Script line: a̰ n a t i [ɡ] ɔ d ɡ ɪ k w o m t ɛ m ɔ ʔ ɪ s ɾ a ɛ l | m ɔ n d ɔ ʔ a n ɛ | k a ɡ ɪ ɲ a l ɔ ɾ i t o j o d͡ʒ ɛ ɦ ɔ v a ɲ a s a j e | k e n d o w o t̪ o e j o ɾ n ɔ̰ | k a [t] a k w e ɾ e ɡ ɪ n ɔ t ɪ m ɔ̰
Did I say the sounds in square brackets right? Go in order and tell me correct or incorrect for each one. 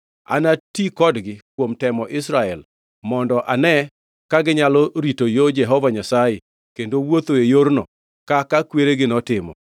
incorrect, incorrect

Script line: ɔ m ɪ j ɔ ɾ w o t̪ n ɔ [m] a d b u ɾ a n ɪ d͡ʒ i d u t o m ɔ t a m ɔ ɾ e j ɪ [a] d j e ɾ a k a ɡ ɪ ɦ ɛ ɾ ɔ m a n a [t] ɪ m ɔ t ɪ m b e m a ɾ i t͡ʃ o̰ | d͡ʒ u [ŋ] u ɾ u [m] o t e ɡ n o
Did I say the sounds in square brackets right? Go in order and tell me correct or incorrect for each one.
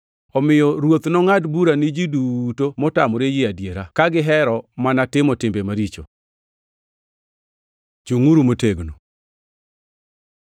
incorrect, correct, correct, correct, correct

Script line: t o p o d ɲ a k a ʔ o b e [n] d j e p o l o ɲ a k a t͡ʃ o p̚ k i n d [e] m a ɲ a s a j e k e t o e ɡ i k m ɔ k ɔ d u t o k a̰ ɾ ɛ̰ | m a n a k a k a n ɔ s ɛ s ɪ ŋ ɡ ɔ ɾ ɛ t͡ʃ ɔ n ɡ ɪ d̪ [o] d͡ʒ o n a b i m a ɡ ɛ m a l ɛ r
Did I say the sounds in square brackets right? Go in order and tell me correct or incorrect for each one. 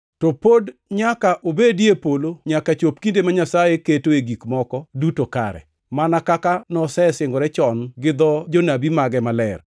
incorrect, correct, incorrect

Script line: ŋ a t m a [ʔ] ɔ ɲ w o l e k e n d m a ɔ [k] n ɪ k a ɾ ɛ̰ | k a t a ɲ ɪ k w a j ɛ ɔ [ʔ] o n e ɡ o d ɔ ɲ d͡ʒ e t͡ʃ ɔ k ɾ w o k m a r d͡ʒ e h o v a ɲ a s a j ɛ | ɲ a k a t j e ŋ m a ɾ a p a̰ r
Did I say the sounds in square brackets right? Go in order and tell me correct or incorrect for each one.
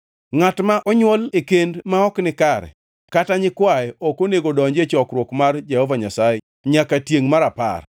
correct, correct, incorrect

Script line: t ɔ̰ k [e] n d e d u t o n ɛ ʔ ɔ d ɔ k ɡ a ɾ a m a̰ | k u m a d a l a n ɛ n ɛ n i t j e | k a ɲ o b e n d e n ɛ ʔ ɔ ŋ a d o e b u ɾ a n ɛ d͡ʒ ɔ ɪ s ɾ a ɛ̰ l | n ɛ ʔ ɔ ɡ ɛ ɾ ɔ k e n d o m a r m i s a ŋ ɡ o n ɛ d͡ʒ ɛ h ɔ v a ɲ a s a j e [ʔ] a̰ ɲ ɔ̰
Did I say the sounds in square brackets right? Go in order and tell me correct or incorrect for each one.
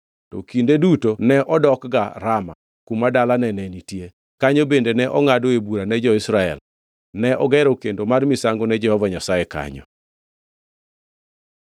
incorrect, incorrect

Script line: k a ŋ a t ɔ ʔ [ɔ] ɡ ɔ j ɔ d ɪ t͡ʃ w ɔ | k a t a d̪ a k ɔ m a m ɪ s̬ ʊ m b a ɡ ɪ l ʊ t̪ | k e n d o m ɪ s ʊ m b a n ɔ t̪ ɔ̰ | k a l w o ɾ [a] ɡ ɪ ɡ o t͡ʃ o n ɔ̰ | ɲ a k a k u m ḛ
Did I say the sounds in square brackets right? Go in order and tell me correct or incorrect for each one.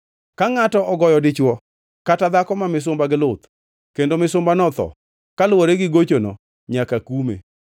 correct, incorrect

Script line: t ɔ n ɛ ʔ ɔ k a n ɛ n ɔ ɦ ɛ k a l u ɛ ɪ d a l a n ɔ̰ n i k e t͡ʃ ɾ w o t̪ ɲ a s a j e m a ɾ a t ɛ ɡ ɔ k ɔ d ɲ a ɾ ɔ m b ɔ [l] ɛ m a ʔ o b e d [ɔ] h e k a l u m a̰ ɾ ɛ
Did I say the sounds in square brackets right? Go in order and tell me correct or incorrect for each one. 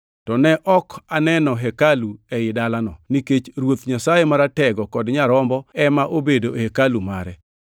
incorrect, incorrect

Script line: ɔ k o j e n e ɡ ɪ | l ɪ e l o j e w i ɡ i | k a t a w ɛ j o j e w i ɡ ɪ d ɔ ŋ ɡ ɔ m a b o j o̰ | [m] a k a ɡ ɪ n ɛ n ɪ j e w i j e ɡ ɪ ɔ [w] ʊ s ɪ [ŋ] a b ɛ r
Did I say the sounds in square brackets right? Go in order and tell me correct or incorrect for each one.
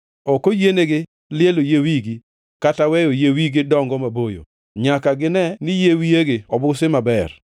incorrect, incorrect, incorrect

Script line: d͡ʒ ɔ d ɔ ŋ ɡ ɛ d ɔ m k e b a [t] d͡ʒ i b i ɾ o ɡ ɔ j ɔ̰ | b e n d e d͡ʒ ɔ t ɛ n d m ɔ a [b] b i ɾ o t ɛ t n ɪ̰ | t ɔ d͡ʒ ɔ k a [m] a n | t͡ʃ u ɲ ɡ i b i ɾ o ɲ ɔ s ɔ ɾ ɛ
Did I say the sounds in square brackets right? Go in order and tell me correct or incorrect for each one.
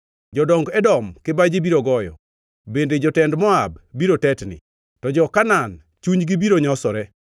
incorrect, correct, incorrect

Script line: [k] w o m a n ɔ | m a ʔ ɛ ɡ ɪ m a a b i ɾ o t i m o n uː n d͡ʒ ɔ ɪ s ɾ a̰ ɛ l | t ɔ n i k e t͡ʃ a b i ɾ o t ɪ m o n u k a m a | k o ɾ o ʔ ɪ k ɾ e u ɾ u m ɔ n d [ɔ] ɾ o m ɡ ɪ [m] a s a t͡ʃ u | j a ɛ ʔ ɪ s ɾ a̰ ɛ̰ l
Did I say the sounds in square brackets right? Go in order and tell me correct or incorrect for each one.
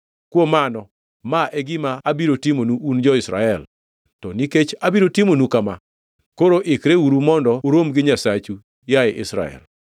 correct, correct, incorrect

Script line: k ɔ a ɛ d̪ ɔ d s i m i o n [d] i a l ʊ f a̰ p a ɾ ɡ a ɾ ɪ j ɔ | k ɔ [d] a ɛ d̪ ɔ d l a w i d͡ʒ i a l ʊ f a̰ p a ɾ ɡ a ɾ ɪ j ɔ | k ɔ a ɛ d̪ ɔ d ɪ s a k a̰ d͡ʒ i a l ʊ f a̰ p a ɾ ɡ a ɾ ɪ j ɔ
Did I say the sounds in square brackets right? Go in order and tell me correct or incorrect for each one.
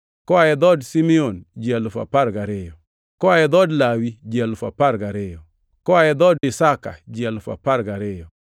incorrect, incorrect

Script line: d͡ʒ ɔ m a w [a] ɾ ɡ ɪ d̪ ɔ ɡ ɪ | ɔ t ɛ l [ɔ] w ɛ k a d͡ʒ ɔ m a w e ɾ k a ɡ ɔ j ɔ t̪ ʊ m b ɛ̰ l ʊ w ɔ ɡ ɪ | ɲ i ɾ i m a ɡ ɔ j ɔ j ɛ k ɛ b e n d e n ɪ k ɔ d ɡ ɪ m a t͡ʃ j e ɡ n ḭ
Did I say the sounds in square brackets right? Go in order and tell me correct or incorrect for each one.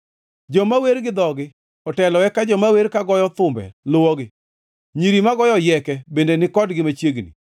incorrect, correct

